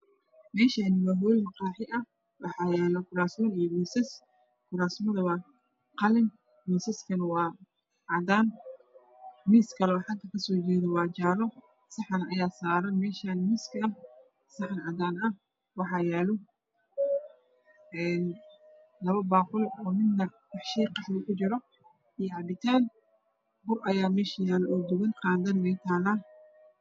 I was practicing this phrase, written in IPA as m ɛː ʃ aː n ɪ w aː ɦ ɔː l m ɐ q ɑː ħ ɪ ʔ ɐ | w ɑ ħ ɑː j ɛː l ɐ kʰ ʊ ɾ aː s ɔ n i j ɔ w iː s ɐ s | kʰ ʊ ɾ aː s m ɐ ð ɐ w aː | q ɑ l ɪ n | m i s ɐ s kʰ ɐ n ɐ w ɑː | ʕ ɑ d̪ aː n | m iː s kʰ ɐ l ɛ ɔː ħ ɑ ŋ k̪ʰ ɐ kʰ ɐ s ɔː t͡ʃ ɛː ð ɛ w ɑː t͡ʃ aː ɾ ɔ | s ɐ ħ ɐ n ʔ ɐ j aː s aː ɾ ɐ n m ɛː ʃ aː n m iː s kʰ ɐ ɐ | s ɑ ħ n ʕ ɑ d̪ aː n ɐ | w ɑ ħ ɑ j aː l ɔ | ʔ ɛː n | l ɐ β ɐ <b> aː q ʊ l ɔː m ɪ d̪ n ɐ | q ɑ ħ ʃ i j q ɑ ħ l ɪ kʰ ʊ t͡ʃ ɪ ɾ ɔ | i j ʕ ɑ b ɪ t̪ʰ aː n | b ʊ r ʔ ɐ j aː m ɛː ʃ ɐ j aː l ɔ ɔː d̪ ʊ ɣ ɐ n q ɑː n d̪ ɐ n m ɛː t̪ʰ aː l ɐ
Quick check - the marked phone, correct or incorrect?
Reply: correct